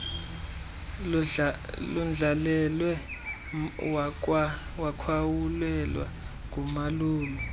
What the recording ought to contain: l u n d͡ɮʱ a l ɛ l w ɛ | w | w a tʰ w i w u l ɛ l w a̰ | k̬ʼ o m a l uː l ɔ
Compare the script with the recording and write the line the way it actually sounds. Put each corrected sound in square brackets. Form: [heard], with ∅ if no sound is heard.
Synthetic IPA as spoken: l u n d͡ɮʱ a l ɛ l w ɛ | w | w a [kʰ] w [a] w u l ɛ l w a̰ | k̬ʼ [u] m a l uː l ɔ